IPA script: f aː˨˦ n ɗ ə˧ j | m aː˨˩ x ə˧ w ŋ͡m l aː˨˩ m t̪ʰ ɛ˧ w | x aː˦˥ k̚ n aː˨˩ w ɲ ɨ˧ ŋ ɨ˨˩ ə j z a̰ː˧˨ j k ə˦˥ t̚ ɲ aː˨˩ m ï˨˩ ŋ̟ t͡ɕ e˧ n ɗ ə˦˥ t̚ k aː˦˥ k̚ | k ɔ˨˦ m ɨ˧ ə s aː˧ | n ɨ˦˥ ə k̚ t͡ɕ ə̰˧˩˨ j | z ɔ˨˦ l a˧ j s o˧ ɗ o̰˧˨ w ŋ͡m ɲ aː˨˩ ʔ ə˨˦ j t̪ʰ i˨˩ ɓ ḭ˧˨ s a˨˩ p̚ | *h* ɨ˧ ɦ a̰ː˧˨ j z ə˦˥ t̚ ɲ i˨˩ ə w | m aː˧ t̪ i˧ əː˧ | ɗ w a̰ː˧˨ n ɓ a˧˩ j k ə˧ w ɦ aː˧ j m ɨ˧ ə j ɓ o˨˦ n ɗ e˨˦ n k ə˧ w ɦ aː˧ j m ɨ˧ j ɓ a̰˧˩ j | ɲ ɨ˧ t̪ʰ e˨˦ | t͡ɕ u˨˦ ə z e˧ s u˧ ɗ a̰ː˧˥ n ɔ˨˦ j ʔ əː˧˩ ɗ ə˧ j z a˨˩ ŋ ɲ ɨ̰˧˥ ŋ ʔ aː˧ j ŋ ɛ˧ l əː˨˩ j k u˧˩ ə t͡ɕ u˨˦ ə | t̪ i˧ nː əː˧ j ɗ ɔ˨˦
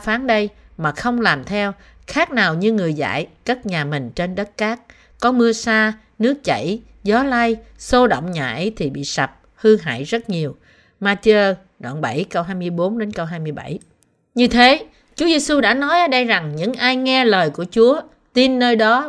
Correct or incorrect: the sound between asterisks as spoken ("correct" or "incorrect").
correct